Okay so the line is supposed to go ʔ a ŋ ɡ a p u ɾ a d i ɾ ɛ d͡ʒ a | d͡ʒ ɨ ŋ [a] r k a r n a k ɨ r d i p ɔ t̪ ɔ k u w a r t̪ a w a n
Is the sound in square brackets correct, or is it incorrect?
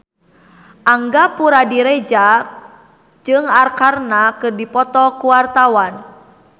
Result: correct